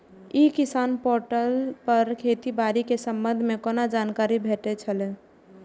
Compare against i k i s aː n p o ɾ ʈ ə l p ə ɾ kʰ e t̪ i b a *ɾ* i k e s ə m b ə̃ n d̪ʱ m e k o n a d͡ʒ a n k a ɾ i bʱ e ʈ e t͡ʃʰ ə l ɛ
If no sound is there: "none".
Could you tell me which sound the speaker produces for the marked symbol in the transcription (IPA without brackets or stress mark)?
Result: ɾ